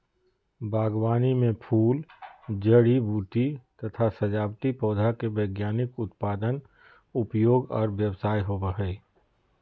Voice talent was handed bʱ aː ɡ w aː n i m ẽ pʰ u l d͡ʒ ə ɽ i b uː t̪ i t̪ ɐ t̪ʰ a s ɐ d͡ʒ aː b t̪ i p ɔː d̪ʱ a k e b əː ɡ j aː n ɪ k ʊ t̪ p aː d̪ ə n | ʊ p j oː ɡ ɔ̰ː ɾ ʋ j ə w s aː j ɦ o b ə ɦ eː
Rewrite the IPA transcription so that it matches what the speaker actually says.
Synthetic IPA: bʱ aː ɡ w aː n i m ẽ pʰ uː l d͡ʒ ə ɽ i b uː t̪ i t̪ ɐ t̪ʰ a s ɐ d͡ʒ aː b t̪ i p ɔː d̪ʱ a k e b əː ɡ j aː n ɪ k ʊ t̪ p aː d̪ ə n | ʊ p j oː ɡ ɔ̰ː ɾ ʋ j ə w s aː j ɦ o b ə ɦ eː